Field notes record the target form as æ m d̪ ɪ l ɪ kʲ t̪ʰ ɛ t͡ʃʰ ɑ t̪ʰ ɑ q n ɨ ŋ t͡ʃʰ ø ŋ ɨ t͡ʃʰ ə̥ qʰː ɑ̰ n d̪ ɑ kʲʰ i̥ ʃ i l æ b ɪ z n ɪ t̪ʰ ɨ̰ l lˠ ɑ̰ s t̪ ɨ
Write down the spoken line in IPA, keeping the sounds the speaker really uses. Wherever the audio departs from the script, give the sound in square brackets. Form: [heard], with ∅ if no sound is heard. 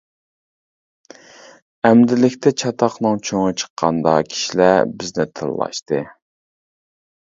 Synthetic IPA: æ m d̪ ɪ l ɪ kʲ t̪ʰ ɛ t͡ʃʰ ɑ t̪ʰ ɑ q n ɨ ŋ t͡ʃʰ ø ŋ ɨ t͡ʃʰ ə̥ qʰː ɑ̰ n d̪ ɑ kʲʰ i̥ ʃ i l æ b ɪ z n ɪ t̪ʰ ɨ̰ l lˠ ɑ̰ [ʃ] t̪ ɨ